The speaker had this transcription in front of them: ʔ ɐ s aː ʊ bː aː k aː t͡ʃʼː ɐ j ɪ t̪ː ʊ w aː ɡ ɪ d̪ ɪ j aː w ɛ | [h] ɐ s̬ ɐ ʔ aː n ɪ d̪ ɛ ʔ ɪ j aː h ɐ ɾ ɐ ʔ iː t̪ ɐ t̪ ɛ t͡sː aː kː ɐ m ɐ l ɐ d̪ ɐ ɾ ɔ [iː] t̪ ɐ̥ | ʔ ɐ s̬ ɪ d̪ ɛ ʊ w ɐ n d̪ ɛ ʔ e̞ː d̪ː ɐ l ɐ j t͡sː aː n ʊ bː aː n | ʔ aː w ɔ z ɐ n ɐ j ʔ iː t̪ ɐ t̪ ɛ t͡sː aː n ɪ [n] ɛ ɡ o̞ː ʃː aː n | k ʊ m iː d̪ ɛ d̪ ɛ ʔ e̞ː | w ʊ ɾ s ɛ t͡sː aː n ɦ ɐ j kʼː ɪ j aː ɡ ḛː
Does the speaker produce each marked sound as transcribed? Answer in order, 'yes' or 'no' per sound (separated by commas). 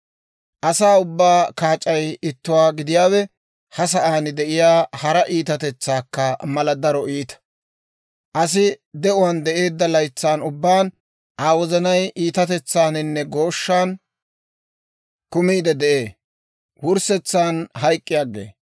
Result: yes, yes, no